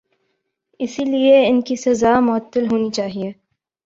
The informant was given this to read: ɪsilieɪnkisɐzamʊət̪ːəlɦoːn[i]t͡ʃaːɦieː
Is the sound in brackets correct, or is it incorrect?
correct